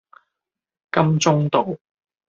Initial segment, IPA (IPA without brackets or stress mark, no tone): k